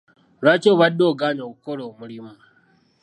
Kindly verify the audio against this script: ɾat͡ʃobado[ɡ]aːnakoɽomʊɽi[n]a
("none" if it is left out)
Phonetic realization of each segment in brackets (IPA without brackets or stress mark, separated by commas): ɡ, m